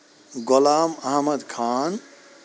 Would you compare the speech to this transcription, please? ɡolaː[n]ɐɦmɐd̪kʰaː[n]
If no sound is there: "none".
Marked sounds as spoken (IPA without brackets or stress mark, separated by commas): m, n